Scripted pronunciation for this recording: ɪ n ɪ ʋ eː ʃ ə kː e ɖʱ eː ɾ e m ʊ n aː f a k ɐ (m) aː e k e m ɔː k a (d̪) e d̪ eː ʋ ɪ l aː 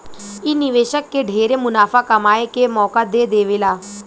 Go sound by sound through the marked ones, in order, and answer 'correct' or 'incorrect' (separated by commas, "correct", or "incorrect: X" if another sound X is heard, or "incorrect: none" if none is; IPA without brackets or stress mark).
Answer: correct, correct